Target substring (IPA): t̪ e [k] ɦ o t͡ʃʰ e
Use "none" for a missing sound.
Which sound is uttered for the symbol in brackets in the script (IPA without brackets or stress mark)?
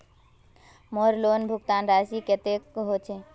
k